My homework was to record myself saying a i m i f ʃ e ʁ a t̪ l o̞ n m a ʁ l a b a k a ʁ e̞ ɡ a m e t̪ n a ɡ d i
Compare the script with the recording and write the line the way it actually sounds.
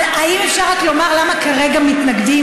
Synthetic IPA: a i m e f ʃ a ʁ a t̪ l o̞ m a ʁ l a m a k a ʁ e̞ ɡ a m i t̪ n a ɡ d i